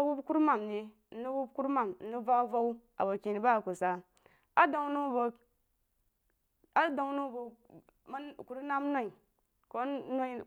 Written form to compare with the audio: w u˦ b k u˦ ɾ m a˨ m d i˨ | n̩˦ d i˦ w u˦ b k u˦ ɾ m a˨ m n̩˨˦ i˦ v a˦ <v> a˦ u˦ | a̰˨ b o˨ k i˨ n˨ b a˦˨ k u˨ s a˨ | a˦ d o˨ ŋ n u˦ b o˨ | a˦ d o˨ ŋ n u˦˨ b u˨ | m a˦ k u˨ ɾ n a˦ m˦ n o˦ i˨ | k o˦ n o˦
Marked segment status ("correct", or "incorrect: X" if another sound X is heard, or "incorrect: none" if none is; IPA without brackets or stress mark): correct